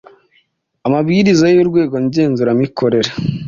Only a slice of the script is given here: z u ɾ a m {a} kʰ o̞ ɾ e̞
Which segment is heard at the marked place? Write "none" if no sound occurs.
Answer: i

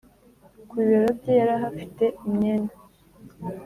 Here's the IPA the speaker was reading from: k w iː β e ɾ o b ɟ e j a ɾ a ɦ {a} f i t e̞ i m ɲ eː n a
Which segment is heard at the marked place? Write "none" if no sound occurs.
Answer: a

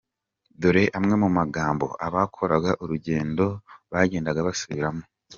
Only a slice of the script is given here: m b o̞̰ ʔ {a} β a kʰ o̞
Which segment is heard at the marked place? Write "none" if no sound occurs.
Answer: a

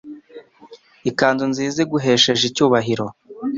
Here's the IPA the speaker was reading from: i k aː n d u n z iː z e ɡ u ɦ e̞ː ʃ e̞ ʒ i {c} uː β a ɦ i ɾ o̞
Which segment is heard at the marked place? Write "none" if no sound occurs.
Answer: c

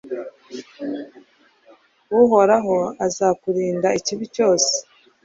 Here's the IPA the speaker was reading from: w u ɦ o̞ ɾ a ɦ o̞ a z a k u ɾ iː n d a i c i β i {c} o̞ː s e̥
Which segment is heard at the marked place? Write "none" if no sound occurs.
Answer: c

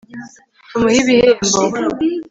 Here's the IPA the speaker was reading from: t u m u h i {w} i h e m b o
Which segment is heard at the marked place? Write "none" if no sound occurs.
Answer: β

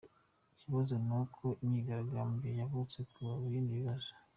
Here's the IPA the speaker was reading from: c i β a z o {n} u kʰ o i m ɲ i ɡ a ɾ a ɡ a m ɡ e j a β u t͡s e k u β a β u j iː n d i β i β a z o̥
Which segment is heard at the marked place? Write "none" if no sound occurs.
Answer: n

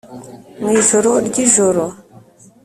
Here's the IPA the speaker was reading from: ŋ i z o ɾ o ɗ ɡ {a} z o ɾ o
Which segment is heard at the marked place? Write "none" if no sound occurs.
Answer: i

